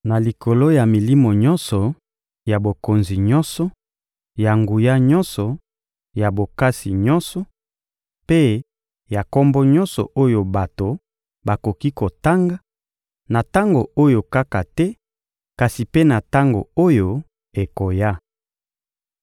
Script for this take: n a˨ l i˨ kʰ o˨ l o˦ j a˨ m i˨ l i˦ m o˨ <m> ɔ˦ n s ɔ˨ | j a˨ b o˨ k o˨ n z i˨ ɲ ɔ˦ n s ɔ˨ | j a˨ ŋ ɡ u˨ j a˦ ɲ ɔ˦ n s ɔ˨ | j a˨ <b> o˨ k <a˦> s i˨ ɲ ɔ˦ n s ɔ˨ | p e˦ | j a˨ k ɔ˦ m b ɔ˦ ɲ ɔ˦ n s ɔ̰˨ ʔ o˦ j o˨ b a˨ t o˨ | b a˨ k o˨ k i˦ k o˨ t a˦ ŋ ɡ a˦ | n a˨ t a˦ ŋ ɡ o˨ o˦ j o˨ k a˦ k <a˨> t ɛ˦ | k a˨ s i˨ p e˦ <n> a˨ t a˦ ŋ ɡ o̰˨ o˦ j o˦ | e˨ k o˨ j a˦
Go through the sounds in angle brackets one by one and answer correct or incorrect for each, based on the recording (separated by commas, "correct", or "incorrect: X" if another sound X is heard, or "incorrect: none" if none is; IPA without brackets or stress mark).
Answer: incorrect: ɲ, correct, correct, correct, correct